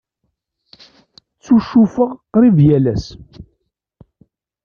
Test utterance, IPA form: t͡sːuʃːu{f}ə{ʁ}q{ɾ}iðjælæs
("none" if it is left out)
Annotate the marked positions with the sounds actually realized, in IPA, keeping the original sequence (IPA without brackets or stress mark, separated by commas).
f, ʁ, ɾ